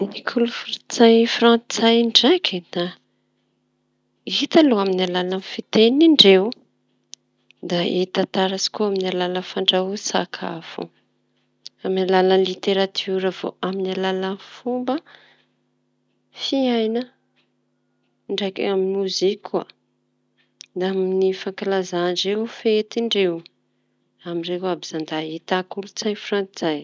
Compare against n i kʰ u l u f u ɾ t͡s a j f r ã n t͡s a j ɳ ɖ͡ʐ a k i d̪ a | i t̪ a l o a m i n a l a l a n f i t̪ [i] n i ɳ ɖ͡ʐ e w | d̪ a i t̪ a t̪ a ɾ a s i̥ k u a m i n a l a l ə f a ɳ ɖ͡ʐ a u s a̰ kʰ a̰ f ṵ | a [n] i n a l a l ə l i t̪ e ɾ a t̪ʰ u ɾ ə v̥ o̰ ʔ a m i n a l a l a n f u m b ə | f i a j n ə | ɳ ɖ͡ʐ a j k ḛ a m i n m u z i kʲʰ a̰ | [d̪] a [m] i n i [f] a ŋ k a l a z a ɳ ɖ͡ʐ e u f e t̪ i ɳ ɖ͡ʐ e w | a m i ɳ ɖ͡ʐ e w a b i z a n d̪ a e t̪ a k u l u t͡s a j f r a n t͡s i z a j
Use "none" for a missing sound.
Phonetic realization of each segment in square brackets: e, m, d̪, m, f

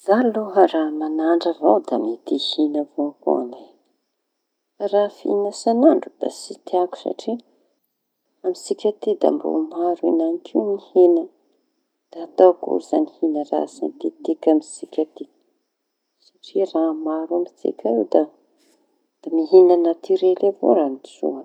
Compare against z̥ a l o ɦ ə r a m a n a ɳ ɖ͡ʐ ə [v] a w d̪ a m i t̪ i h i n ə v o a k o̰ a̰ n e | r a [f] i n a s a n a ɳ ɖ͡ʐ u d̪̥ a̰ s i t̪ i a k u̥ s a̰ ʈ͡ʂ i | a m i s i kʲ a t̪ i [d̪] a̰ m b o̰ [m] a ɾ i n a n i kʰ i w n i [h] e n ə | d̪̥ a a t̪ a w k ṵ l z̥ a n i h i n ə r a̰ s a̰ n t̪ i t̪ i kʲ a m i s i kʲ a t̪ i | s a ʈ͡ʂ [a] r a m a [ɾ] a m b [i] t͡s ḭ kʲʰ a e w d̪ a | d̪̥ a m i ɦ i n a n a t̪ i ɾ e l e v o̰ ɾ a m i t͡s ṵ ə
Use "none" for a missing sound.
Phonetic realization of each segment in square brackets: v, f, d̪, m, h, i, ɾ, i

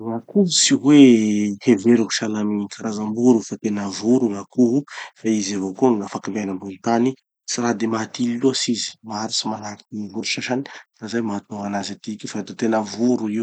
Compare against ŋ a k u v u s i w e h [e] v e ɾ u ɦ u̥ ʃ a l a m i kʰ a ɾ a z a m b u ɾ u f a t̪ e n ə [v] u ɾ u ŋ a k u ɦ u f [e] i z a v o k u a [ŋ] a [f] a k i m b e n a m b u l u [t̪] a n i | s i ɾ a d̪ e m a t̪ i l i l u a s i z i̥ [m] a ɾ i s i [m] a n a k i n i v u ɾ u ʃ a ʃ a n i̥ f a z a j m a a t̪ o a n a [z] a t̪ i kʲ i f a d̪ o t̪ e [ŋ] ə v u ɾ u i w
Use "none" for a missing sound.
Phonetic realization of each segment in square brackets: e, v, a, ŋ, f, t̪, m, m, z, n

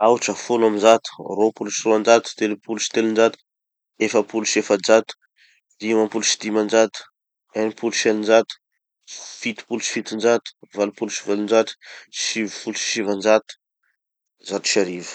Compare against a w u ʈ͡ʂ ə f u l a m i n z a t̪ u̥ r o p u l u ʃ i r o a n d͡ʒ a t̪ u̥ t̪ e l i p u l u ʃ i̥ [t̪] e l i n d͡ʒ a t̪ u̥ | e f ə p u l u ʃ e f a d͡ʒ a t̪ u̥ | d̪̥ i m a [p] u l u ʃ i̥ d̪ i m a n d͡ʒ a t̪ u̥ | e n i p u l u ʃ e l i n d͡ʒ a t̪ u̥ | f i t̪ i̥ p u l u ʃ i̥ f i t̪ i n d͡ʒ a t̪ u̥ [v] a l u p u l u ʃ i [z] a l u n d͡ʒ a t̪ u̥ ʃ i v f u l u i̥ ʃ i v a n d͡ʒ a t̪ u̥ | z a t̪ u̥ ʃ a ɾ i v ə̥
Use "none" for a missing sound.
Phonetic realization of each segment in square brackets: t̪, p, v, v

